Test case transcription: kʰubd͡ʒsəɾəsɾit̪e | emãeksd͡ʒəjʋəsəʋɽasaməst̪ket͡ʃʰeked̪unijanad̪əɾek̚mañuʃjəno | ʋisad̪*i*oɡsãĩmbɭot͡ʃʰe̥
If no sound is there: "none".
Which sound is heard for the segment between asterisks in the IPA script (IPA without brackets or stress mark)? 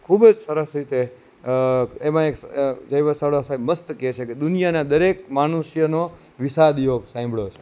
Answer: j